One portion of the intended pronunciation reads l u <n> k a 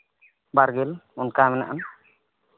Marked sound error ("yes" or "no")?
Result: no